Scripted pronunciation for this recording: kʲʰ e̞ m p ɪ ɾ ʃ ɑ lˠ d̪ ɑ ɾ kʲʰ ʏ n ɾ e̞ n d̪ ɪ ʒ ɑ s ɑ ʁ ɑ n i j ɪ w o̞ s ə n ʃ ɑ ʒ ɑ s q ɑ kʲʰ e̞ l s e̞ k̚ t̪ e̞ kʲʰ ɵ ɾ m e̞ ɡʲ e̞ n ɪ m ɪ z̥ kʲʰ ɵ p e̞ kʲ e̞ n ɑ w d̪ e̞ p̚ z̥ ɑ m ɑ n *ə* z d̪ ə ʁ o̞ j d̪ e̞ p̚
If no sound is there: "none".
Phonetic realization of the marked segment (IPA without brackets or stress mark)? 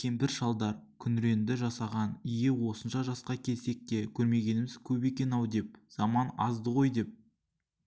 ɑ